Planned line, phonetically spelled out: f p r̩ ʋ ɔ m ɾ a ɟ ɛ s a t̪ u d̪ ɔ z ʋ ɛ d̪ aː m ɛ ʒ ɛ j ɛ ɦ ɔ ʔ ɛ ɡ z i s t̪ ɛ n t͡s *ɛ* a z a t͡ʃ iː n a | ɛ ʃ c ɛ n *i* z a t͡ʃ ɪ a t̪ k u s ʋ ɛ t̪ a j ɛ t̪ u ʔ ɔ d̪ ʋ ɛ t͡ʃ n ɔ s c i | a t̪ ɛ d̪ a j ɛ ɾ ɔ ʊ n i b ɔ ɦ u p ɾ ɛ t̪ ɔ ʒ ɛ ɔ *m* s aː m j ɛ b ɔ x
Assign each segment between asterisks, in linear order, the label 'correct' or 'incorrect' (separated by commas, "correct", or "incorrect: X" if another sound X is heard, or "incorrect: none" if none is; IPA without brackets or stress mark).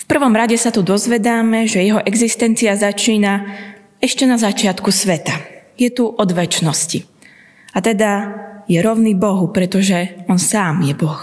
incorrect: i, incorrect: a, incorrect: n